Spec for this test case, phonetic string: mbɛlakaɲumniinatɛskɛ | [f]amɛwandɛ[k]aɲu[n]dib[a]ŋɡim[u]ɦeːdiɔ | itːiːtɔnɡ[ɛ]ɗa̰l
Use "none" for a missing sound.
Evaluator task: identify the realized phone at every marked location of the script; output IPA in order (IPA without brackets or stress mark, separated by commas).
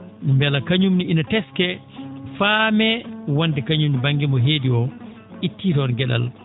f, k, m, a, ɔ, ɛ